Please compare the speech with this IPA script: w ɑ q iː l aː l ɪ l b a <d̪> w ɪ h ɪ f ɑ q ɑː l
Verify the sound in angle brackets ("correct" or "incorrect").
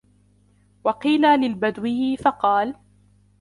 correct